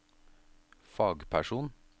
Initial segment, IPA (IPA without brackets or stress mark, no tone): f